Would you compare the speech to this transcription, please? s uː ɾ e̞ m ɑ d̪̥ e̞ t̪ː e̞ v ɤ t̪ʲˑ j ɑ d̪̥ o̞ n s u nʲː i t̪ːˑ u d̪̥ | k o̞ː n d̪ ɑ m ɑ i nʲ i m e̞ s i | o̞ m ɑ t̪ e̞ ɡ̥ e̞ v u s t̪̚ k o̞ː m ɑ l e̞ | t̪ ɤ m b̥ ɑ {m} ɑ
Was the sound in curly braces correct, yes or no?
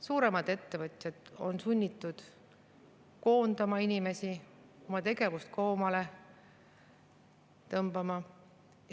yes